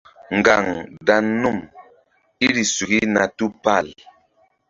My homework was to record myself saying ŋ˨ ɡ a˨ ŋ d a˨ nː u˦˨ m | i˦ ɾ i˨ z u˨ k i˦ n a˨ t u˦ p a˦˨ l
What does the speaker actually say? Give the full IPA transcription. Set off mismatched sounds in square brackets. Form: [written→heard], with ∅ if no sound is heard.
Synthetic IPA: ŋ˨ ɡ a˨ ŋ d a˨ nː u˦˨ m | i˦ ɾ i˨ [z→s] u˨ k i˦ n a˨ t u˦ p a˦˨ l